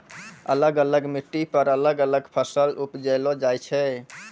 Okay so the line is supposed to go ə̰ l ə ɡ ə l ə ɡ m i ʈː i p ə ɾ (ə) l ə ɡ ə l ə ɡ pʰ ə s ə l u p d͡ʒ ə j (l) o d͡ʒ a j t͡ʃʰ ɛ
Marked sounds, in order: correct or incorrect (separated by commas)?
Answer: correct, correct